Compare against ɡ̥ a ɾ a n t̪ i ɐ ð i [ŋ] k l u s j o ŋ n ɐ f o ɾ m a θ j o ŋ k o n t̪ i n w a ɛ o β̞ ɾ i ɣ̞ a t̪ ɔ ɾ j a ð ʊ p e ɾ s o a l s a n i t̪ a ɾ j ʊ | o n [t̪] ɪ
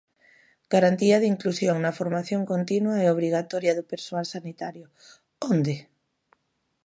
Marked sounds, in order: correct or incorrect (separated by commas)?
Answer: correct, incorrect